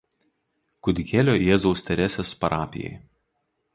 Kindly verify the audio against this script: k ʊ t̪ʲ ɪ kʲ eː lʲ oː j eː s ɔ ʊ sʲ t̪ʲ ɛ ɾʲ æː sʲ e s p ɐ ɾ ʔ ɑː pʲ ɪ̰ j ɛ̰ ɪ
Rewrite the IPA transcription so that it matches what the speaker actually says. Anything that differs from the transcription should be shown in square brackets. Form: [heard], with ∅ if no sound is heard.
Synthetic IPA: k ʊ [d̪ʲ] ɪ kʲ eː lʲ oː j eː [z] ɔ ʊ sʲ t̪ʲ ɛ ɾʲ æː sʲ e s p ɐ ɾ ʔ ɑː pʲ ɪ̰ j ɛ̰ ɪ